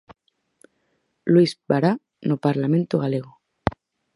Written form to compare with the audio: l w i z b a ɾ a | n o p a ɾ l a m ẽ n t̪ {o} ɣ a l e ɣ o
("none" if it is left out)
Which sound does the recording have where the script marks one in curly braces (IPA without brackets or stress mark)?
o